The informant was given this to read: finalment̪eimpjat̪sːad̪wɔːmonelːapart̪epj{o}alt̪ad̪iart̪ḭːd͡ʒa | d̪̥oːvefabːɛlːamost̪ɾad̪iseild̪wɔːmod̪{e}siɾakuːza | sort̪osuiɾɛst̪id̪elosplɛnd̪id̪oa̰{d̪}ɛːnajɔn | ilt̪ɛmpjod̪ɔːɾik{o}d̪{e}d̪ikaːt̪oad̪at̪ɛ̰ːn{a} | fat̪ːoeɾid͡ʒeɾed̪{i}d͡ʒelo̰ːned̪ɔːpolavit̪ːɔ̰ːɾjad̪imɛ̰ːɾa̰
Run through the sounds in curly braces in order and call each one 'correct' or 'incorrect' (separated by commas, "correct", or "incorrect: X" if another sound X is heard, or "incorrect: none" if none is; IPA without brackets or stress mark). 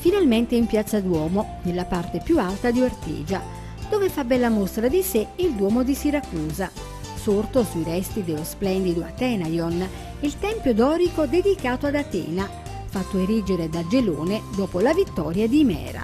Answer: incorrect: u, incorrect: i, incorrect: t̪, correct, correct, correct, incorrect: a